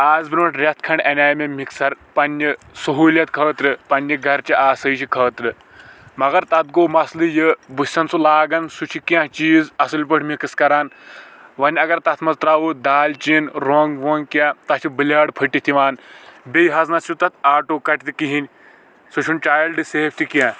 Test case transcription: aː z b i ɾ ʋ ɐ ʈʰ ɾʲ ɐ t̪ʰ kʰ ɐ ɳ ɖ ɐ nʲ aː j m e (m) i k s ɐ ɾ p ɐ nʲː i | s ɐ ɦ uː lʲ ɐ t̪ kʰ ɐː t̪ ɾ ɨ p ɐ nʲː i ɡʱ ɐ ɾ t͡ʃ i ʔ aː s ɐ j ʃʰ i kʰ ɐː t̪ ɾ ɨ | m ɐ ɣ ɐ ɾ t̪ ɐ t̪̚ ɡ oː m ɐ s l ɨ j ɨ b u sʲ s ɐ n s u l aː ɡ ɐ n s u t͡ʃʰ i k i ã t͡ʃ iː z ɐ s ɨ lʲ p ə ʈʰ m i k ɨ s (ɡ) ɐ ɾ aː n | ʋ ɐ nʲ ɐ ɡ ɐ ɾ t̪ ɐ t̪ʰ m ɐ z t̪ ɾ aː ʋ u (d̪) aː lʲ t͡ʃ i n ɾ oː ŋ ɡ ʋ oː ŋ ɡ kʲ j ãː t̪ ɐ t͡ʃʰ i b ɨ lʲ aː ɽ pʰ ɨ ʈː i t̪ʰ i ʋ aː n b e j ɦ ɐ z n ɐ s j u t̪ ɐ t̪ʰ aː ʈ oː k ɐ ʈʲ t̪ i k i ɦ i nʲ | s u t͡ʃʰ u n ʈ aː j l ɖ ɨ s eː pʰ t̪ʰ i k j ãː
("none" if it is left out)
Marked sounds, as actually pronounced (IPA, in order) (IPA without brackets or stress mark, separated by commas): m, k, d̪